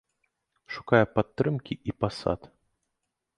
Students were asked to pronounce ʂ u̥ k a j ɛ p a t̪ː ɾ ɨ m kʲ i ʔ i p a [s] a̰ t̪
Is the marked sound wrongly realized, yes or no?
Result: no